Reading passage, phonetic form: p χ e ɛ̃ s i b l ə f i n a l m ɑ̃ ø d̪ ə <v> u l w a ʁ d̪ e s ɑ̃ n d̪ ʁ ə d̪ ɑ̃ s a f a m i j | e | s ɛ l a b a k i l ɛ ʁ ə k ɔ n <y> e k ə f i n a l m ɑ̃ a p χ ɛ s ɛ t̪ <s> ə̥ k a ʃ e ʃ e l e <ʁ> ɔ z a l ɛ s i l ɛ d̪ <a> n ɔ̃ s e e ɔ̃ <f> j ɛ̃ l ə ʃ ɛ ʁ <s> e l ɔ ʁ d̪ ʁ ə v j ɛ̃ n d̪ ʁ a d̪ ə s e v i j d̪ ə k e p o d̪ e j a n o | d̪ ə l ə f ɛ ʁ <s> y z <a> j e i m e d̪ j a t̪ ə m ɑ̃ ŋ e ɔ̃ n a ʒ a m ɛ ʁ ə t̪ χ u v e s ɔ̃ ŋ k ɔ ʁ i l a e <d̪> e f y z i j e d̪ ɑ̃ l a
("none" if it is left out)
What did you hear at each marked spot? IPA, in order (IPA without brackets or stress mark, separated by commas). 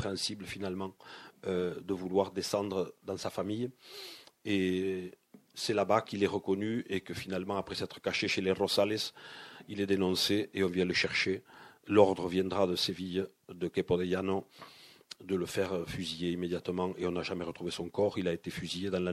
v, y, χ, ʁ, e, v, ʃ, f, i, t̪